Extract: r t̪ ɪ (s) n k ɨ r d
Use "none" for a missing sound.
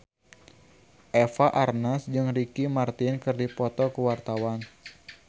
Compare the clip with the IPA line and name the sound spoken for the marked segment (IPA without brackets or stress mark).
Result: none